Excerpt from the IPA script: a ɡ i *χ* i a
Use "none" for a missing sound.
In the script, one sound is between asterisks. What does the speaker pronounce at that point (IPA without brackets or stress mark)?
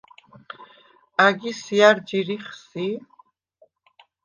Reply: s